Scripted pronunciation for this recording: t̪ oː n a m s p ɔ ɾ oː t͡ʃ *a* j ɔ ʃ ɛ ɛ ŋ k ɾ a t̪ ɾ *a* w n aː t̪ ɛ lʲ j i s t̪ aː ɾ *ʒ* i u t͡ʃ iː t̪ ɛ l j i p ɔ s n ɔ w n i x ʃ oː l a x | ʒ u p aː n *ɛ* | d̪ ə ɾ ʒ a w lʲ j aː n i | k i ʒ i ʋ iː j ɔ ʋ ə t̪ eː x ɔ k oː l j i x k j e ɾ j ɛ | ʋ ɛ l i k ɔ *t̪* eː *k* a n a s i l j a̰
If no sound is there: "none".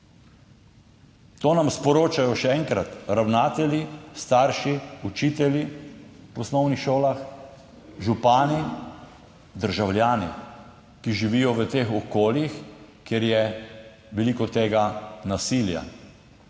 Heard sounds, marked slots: a, a, ʃ, i, t̪, ɡ

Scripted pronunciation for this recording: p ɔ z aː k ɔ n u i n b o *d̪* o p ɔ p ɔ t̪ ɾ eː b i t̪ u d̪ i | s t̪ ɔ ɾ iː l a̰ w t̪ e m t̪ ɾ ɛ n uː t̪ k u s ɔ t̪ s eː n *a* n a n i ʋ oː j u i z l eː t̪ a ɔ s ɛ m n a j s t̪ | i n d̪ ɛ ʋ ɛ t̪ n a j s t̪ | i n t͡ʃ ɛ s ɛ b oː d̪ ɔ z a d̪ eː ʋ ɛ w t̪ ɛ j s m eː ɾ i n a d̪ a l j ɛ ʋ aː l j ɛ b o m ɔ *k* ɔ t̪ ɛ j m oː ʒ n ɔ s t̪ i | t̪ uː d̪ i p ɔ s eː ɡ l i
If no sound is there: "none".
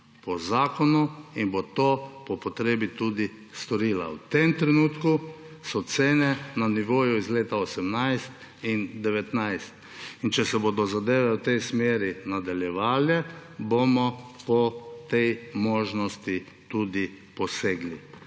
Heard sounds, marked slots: t̪, ɛ, p

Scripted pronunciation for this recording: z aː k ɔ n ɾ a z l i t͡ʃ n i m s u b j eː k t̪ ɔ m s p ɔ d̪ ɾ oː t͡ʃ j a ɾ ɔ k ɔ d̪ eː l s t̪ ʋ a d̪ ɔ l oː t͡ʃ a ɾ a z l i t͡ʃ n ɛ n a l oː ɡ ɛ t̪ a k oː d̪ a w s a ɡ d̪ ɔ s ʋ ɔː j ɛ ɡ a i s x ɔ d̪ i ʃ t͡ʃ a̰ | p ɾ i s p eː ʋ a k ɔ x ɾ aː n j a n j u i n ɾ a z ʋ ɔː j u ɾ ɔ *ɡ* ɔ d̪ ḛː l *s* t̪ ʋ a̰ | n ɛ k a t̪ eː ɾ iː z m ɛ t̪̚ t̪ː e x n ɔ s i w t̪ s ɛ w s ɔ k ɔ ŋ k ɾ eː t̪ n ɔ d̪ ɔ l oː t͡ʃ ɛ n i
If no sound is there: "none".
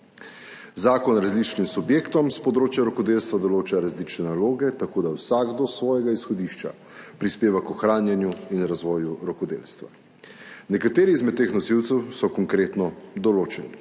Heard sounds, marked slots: k, s

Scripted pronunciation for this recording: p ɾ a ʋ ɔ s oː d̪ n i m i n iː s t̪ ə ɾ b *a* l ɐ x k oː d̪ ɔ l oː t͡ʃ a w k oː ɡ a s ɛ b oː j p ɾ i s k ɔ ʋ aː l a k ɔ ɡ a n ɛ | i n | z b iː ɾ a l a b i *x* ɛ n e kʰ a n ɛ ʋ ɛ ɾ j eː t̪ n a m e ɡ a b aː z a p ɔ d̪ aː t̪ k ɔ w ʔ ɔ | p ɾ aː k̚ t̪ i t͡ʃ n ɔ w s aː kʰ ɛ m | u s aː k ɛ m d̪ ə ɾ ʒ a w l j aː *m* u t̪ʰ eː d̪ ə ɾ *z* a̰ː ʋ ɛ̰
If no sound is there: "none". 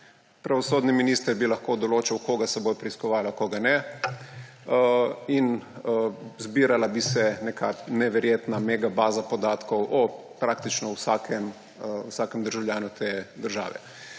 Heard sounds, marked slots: i, s, n, ʒ

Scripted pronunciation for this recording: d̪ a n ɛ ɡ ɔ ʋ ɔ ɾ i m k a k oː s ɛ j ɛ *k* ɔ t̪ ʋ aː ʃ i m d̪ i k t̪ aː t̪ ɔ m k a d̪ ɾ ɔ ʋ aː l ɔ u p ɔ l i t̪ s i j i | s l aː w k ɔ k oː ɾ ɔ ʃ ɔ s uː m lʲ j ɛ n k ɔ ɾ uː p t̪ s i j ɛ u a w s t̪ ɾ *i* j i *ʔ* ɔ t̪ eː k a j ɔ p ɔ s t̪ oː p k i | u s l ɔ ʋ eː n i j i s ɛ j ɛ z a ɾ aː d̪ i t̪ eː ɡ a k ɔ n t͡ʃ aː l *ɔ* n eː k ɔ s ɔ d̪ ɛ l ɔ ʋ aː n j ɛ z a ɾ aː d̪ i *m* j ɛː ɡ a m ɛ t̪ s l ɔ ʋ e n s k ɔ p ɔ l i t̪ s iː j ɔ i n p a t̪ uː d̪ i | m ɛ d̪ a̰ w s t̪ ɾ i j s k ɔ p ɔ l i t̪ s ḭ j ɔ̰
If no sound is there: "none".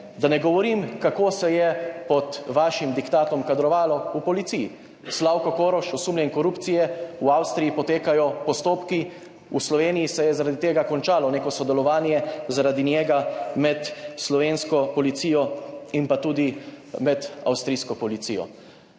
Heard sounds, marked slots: p, i, p, ɔ, n

